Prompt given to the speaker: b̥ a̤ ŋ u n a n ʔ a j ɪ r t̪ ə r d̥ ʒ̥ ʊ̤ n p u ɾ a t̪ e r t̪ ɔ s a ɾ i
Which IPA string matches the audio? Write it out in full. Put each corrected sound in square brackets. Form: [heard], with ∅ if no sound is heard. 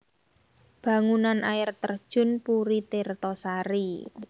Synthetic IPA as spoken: b̥ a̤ ŋ u n a n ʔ a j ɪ r t̪ ə r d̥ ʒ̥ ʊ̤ n p u ɾ [i] t̪ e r t̪ ɔ s a ɾ i